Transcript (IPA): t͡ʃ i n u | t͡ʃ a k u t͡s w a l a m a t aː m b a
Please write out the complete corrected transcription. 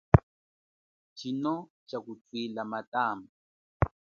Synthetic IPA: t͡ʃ i n ɔ | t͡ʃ a k u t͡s w i l a m a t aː m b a